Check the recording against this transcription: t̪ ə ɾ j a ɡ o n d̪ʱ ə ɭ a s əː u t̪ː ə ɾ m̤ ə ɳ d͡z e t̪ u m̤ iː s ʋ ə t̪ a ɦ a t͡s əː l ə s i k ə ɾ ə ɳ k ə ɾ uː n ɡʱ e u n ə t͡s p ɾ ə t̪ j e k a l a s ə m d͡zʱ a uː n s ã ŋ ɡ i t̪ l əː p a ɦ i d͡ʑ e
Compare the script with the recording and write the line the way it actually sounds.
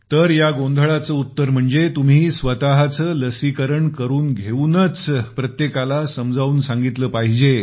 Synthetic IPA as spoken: t̪ ə ɾ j a ɡ o n d̪ʱ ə ɭ a t͡s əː u t̪ː ə ɾ m̤ ə ɳ d͡z e t̪ u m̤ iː s ʋ ə t̪ a ɦ a t͡s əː l ə s i k ə ɾ ə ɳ k ə ɾ uː n ɡʱ e u n ə t͡s p ɾ ə t̪ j e k a l a s ə m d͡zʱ a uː n s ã ŋ ɡ i t̪ l əː p a ɦ i d͡ʑ e